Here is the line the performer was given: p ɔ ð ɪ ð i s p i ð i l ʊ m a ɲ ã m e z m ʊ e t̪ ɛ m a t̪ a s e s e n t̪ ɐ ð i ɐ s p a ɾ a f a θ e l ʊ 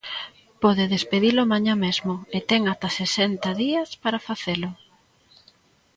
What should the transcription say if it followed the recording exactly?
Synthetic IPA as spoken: p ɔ ð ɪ ð e s p e ð i l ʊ m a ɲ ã m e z m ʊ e t̪ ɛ ŋ a t̪ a s e s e n t̪ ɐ ð i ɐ s p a ɾ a f a θ e l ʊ